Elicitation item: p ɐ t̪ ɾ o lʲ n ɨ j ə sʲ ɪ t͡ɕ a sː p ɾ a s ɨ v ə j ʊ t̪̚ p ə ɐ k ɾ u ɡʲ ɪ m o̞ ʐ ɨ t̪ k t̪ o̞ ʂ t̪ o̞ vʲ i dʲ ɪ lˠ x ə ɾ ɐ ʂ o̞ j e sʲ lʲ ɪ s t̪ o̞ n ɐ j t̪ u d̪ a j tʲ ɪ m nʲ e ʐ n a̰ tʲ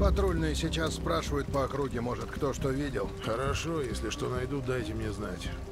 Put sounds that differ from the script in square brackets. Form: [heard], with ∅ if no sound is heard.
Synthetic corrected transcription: p ɐ t̪ ɾ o lʲ n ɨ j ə sʲ ɪ t͡ɕ a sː p ɾ a [ʂ] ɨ v ə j ʊ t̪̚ p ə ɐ k ɾ u ɡʲ ɪ m o̞ ʐ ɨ t̪ k t̪ o̞ ʂ t̪ o̞ vʲ i dʲ ɪ lˠ x ə ɾ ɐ ʂ o̞ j e sʲ lʲ ɪ [ʂ] t̪ o̞ n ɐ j [d̪] u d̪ a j tʲ ɪ m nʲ e [z] n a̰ tʲ